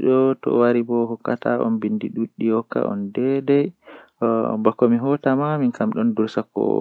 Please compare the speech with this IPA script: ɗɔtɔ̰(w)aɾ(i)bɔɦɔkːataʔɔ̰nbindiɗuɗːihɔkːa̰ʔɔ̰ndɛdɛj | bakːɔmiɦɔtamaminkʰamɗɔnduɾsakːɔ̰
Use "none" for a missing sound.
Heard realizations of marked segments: w, i

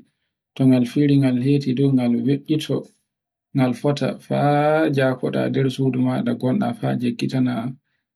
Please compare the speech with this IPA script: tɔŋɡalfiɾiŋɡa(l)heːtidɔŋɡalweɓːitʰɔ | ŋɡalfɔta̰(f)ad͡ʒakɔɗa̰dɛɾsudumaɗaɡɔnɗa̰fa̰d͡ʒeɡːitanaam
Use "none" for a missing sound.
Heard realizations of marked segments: l, f

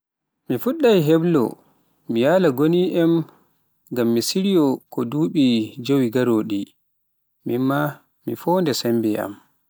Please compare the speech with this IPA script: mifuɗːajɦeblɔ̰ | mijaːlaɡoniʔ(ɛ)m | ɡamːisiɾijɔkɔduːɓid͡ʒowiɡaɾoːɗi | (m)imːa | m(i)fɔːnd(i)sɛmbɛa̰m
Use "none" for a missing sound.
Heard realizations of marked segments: ɛ, m, i, ɛ

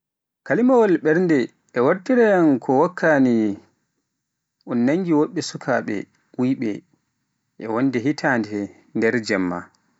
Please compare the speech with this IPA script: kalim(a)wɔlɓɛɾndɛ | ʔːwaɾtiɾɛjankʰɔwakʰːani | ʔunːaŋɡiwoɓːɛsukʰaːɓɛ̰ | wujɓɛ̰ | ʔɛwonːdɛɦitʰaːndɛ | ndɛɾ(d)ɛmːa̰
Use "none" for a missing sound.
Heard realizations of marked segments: a, d͡ʒ

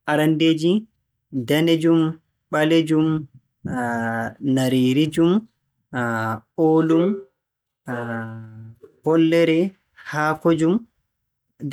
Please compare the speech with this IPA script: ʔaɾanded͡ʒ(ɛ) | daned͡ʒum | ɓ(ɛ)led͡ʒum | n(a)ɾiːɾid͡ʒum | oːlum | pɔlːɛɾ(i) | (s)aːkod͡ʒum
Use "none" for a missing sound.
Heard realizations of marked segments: i, a, a, ɛ, h

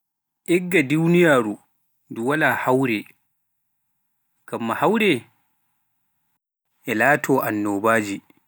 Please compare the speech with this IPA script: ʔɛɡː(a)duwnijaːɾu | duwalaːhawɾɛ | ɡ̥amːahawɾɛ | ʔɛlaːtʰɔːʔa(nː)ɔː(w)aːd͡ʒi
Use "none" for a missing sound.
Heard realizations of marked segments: a, nː, b

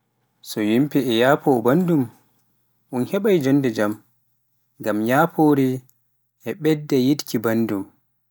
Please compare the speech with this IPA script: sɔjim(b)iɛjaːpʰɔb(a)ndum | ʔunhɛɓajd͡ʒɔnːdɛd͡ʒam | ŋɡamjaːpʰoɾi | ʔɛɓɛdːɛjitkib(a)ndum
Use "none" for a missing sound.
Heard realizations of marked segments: p, a, a

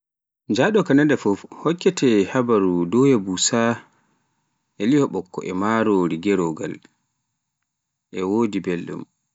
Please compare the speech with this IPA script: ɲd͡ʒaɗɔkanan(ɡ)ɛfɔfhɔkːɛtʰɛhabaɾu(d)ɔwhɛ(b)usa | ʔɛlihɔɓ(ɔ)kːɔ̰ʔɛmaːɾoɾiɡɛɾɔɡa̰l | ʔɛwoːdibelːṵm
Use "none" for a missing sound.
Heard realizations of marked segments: d, d, b, ɔ

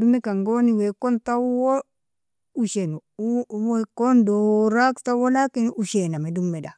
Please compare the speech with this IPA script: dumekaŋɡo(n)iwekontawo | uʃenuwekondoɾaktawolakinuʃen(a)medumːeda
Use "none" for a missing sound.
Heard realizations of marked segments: n, a

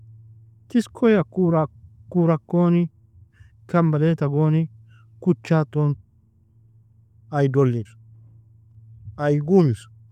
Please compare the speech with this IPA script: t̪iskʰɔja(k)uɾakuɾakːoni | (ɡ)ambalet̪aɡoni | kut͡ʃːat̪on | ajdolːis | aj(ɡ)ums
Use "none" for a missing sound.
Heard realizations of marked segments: k, k, ɡ

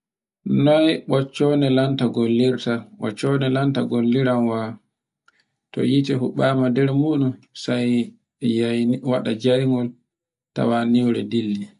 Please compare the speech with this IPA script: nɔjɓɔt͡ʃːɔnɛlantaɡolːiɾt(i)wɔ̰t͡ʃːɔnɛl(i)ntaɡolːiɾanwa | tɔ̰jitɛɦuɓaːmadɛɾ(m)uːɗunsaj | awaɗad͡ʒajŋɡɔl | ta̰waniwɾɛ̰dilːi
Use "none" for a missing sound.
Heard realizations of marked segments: a, a, m

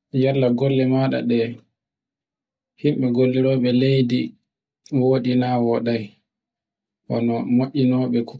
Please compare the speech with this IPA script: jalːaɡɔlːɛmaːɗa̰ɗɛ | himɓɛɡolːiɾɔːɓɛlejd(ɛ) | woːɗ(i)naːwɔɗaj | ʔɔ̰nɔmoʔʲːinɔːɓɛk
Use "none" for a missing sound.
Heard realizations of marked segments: i, i

